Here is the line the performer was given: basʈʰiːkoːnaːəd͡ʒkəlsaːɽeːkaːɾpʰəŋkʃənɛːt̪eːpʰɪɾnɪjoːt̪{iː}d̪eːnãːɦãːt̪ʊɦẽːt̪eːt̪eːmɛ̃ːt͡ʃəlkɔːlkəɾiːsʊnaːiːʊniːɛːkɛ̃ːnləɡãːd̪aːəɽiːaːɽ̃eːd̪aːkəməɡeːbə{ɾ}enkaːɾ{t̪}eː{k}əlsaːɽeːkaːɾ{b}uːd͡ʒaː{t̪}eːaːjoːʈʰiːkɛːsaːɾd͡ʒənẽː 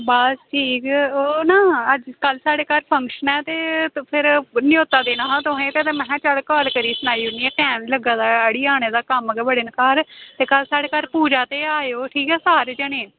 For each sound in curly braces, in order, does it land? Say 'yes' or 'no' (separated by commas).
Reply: no, no, yes, yes, no, yes